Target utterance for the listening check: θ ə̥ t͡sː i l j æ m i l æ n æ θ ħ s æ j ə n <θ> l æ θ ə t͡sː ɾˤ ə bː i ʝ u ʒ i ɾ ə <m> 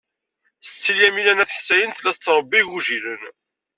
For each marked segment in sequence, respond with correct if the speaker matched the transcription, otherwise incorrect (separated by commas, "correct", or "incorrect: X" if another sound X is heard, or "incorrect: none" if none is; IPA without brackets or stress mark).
correct, incorrect: n